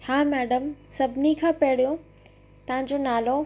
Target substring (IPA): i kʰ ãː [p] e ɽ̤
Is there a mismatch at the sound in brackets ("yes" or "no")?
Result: no